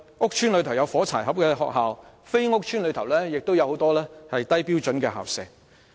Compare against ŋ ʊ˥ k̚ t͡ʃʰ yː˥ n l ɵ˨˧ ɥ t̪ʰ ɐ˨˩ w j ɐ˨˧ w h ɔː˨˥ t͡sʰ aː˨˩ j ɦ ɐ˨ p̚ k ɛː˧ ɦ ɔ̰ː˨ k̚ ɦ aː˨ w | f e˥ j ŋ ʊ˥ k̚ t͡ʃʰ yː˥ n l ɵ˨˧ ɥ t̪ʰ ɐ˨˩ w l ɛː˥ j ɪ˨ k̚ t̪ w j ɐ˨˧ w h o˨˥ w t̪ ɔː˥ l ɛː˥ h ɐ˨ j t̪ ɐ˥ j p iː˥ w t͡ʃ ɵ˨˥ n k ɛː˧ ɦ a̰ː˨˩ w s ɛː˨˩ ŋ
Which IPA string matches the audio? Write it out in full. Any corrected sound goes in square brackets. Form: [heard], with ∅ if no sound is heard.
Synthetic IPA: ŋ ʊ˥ k̚ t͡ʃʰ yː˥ n l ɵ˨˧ ɥ t̪ʰ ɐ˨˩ w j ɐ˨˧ w [f] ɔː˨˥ t͡sʰ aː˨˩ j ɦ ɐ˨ p̚ k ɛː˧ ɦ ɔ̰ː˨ k̚ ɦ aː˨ w | f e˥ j ŋ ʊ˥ k̚ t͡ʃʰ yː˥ n l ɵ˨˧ ɥ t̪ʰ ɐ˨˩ w l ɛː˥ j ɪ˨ k̚ t̪ w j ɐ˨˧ w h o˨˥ w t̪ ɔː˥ l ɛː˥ h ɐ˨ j t̪ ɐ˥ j p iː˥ w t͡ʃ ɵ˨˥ n k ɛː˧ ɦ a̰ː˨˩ w s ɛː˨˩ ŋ